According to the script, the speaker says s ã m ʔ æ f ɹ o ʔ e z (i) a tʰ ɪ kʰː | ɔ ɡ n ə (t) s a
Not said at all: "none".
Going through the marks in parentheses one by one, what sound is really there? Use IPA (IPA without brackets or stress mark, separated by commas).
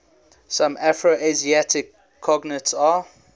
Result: i, t